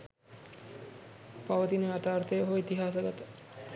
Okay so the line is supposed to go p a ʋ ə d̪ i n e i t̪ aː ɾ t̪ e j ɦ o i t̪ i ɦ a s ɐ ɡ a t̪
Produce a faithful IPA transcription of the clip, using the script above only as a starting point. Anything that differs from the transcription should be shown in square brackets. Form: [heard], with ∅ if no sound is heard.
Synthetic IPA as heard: p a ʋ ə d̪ i n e [a] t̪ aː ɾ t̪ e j ɦ o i t̪ i ɦ a s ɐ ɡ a t̪